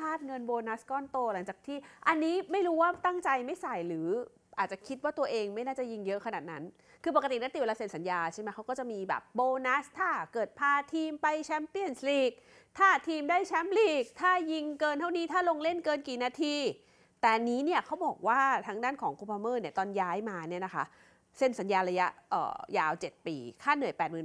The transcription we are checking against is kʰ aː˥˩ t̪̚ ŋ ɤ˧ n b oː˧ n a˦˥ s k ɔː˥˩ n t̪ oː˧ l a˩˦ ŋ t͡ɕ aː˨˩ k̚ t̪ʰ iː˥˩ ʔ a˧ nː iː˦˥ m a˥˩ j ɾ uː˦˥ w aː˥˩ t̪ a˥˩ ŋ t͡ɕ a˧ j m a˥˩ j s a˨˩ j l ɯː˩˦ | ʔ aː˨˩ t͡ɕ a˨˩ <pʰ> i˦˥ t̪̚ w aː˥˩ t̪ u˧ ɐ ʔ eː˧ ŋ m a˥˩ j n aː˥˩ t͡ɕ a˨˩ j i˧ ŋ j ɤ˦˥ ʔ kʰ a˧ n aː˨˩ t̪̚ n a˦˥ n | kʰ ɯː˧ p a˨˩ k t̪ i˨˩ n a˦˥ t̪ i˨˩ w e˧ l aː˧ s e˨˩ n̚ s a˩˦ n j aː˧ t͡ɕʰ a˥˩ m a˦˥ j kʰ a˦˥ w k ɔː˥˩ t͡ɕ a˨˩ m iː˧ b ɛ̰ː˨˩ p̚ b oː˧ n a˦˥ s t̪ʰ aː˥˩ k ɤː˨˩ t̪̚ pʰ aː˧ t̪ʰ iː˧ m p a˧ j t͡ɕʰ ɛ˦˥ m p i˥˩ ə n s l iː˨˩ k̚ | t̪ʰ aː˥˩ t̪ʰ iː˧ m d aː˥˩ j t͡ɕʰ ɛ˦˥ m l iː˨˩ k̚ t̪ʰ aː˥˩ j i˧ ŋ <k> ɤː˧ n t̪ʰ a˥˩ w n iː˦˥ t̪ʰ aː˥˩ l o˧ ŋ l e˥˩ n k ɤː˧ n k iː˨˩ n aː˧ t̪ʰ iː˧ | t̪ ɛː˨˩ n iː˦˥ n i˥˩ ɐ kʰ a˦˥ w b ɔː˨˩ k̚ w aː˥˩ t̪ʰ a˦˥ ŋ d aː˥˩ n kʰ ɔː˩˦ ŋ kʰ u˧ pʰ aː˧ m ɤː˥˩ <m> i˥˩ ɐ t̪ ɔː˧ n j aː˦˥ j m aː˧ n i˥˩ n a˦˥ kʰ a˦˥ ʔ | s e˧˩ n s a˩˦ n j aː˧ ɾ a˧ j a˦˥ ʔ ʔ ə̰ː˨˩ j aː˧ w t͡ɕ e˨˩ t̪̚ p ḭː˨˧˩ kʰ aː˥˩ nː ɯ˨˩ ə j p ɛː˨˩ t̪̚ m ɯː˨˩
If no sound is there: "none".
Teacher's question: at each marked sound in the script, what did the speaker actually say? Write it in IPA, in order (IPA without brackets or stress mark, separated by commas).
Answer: kʰ, k, n